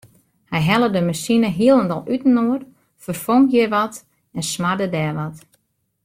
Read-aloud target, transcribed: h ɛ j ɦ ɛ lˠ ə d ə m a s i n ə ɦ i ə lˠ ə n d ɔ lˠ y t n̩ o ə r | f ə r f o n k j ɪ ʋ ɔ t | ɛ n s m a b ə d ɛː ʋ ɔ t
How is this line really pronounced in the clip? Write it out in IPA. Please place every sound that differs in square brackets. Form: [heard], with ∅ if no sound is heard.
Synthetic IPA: h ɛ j ɦ ɛ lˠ ə d ə m a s i n ə ɦ i ə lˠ ə n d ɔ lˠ y t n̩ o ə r | f ə r f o [ŋ] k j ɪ ʋ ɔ t | ɛ n s m a [d] ə d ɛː ʋ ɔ t